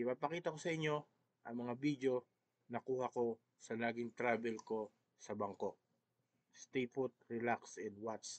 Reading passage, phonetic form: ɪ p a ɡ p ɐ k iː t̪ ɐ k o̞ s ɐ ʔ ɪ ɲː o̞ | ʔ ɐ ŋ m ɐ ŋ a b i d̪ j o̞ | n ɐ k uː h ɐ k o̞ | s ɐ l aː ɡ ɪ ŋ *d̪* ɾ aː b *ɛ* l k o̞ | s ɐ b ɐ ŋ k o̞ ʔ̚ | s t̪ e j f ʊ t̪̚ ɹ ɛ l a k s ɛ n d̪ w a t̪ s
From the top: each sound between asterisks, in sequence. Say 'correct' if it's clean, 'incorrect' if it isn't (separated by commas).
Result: incorrect, correct